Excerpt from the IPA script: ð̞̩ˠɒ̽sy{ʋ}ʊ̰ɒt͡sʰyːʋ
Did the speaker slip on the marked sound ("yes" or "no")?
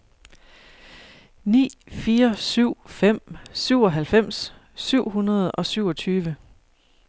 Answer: yes